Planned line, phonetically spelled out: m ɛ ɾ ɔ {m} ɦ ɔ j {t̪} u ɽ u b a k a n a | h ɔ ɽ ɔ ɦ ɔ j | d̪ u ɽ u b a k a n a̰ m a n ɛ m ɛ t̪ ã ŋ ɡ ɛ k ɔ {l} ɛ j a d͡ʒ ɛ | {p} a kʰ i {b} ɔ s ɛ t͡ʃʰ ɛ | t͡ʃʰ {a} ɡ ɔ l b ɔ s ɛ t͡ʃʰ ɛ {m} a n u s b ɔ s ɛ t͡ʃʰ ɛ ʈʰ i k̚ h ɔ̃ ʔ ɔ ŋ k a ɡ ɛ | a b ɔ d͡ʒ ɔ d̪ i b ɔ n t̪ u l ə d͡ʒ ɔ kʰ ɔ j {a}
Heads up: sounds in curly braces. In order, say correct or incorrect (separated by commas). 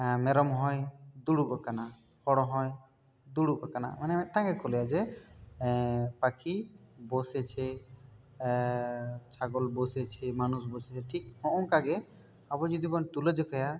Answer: correct, incorrect, correct, correct, correct, correct, correct, correct